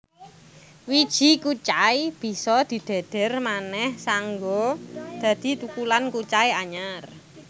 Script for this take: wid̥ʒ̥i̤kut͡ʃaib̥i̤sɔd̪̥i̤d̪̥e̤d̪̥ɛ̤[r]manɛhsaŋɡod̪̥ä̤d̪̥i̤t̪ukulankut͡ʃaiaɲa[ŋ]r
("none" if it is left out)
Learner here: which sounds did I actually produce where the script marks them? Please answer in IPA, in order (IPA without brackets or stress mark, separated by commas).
r, none